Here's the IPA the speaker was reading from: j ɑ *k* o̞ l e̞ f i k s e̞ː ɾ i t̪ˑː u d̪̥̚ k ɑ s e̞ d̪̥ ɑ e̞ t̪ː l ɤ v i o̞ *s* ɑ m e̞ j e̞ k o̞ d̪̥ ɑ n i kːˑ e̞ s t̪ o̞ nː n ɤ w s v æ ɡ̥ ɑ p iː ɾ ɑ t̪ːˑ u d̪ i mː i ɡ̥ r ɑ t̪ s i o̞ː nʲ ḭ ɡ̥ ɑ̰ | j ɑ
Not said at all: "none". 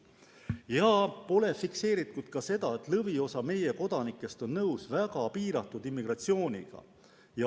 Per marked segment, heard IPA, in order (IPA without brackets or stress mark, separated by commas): p, s